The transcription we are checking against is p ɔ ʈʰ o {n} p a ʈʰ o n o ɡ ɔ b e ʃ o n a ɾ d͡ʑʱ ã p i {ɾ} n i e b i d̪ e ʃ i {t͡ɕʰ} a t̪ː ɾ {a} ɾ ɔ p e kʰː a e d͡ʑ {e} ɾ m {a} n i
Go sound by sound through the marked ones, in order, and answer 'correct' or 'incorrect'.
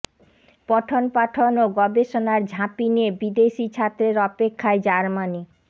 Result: correct, incorrect, correct, incorrect, incorrect, correct

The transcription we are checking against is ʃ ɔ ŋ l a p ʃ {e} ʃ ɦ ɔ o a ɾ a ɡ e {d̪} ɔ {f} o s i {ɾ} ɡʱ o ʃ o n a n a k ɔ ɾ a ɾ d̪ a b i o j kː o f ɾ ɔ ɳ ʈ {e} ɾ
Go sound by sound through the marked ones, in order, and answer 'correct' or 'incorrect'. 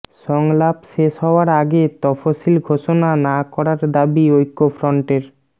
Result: correct, incorrect, correct, incorrect, correct

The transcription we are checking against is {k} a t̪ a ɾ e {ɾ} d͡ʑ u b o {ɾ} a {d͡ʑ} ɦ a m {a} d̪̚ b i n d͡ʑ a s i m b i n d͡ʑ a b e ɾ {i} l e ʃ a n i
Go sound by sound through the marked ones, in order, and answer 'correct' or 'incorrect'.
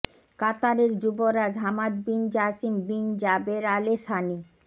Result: correct, correct, correct, correct, correct, incorrect

